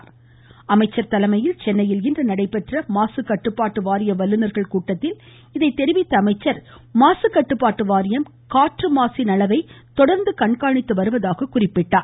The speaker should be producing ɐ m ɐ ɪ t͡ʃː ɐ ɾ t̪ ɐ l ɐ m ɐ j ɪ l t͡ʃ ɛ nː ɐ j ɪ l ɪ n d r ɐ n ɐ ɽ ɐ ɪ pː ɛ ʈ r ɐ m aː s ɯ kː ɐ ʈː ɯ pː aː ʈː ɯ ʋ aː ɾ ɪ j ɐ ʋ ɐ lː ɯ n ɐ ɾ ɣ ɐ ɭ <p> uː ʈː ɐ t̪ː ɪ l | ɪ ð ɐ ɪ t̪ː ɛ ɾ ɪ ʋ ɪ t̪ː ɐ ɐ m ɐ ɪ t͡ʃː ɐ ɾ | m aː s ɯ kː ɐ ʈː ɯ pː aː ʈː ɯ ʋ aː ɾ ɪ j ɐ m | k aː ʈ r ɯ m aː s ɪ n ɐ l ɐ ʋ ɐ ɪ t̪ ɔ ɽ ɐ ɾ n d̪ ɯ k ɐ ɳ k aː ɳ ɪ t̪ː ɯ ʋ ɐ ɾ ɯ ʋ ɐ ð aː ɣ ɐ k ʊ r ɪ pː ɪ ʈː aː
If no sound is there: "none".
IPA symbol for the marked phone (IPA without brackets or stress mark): k